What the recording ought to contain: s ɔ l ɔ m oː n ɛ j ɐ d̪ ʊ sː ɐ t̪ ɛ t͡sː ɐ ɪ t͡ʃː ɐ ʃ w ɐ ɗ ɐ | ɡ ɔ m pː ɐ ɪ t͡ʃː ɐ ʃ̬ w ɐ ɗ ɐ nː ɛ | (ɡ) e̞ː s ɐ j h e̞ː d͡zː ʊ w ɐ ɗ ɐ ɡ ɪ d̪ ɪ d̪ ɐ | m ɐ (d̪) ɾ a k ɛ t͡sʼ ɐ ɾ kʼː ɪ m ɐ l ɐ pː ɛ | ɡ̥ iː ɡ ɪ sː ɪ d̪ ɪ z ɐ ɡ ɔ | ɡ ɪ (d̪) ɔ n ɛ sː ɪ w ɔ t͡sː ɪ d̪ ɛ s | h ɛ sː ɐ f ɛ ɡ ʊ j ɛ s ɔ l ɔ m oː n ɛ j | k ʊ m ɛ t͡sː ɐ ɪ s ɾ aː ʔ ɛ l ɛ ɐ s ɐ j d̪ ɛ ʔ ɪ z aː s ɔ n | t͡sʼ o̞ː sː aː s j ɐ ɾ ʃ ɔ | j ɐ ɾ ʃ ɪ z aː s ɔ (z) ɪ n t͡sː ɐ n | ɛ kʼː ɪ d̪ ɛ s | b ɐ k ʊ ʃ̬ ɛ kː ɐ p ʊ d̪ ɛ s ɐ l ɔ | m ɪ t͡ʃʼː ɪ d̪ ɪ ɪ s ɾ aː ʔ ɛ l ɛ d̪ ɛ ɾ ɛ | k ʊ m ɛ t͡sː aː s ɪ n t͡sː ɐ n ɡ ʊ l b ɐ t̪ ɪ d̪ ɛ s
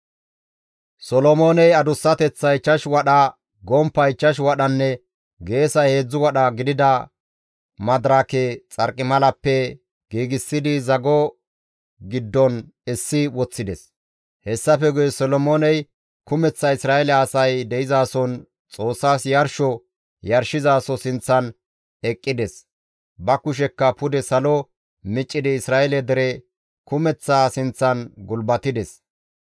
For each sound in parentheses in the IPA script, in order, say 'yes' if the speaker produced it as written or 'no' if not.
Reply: yes, yes, no, no

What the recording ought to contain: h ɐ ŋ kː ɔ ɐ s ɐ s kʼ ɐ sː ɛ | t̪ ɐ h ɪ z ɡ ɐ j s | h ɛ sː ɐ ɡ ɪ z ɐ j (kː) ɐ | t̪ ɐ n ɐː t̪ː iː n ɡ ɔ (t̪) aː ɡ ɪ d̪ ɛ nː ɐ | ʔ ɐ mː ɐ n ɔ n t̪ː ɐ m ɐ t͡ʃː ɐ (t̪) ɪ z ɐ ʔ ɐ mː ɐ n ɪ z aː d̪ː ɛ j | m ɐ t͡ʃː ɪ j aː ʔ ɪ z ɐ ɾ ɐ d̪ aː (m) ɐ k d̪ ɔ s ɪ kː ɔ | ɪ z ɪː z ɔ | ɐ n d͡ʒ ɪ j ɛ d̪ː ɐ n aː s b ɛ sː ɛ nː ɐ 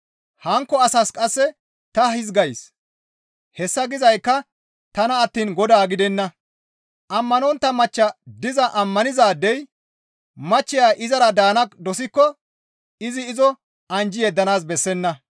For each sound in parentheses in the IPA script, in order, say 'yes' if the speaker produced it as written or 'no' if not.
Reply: yes, no, no, no

